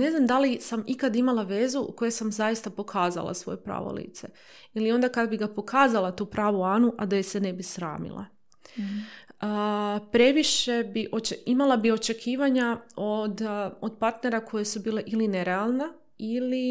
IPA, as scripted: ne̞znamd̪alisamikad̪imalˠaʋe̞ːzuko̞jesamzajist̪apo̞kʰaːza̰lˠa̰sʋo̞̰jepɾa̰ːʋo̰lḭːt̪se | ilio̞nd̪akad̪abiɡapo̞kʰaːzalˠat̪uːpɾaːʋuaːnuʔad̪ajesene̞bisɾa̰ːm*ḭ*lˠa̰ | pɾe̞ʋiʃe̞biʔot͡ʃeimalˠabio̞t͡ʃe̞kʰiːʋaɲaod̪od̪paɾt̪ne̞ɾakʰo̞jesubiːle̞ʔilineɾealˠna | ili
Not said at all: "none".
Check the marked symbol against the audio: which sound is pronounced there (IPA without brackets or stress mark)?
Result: ḭ